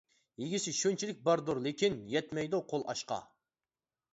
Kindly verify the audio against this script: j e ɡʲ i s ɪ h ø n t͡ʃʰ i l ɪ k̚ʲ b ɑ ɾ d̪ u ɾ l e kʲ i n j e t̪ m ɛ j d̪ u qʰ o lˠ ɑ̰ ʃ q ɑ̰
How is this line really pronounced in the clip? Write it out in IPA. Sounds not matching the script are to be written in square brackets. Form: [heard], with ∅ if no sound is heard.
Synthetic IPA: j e ɡʲ i s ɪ [ʃ] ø n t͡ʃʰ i l ɪ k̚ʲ b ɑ ɾ d̪ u ɾ l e kʲ i n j [ɛ] t̪ m ɛ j d̪ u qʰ o lˠ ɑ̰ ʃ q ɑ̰

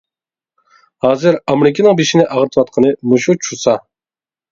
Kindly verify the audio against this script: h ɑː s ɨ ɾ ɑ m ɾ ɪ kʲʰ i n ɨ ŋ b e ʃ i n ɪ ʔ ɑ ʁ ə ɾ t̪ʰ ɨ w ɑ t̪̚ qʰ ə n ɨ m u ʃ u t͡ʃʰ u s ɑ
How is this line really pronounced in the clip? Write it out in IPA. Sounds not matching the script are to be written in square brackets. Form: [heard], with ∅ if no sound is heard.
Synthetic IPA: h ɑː [z] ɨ ɾ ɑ m ɾ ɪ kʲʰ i n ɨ ŋ b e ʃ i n ɪ ʔ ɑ ʁ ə ɾ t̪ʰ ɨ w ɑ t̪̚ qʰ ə n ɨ m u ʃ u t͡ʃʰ u s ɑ

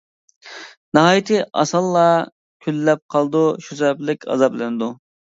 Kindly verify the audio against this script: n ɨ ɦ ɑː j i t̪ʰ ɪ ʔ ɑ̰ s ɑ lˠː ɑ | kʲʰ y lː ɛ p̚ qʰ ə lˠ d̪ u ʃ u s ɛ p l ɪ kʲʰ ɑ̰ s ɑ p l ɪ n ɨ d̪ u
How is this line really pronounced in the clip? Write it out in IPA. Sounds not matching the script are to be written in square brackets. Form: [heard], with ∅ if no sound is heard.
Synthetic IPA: n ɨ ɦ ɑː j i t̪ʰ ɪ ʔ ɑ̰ s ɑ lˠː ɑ | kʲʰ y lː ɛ p̚ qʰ [ɑ] lˠ d̪ u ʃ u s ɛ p l ɪ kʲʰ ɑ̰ [z] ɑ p l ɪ n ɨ d̪ u

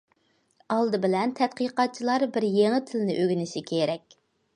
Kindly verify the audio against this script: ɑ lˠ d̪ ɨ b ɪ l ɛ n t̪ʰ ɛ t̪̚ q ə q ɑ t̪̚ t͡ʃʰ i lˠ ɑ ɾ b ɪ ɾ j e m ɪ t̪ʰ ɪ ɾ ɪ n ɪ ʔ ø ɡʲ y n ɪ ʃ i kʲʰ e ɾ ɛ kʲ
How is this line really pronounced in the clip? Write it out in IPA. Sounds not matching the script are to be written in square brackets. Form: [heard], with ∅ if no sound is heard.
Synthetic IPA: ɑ lˠ d̪ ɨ b ɪ l ɛ n t̪ʰ ɛ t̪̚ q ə q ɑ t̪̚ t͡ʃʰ i lˠ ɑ ɾ b ɪ ɾ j e [ŋ] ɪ t̪ʰ ɪ [l] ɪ n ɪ ʔ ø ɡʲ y n ɪ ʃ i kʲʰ e ɾ ɛ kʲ

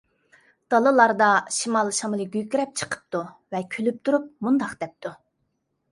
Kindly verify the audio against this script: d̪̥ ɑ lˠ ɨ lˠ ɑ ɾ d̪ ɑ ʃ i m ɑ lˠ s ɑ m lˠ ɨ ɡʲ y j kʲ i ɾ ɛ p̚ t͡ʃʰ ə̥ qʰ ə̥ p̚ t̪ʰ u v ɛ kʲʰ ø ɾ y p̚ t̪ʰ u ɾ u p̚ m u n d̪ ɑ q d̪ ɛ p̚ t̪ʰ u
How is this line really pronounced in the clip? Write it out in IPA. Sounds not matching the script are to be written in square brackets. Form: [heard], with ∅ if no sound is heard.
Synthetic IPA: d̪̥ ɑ lˠ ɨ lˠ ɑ ɾ d̪ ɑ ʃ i m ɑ lˠ [ʃ] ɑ m lˠ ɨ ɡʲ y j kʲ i ɾ ɛ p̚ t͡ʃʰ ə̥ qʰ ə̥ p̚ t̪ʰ u v ɛ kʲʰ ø [l] y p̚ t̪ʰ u ɾ u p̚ m u n d̪ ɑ q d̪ ɛ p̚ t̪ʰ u

